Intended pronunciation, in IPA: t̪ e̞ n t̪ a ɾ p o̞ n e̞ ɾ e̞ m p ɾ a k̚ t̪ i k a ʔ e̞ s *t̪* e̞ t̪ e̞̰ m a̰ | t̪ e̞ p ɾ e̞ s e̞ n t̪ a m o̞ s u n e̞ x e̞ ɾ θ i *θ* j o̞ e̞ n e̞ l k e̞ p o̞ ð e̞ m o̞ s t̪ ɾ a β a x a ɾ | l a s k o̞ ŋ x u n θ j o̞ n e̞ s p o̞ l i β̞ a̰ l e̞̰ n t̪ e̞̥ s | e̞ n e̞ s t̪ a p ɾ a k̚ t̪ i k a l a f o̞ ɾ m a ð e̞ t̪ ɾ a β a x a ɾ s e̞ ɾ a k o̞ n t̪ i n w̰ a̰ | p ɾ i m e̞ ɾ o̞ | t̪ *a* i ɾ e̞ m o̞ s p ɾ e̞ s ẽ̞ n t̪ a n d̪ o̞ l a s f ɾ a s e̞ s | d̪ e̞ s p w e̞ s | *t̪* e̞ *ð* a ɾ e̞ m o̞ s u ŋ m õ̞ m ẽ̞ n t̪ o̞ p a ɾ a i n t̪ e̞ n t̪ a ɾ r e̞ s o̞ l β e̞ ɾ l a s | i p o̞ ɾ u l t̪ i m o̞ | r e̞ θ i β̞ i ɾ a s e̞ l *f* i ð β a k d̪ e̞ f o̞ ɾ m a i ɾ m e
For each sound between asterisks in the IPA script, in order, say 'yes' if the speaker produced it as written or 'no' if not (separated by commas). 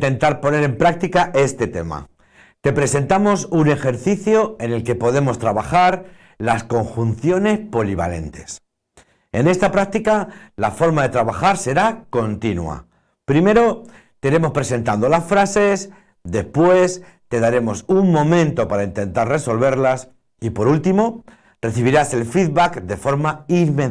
yes, yes, no, yes, yes, yes